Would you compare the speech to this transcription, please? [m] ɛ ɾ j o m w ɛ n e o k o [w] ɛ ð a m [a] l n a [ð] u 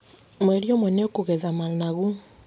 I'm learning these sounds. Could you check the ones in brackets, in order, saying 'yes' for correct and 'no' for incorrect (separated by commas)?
yes, no, yes, no